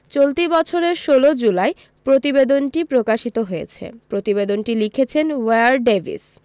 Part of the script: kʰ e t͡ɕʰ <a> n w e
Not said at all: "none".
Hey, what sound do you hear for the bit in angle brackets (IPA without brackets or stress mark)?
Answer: e